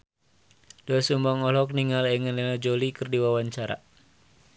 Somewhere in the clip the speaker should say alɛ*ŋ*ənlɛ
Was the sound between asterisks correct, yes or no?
yes